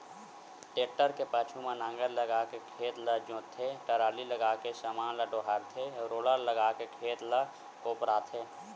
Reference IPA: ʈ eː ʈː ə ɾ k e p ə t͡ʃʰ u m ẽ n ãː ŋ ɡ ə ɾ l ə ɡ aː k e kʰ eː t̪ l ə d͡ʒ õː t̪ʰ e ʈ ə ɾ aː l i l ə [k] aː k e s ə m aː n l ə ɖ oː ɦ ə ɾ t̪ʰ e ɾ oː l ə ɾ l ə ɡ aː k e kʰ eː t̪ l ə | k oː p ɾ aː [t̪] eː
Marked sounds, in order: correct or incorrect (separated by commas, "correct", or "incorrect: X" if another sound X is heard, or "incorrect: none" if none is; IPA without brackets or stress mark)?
incorrect: ɡ, incorrect: t̪ʰ